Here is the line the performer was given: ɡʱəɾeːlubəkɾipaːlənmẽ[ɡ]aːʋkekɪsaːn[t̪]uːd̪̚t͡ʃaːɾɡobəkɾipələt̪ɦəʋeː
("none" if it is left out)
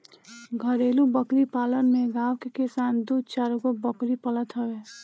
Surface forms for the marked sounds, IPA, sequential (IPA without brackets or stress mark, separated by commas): ɡ, d̪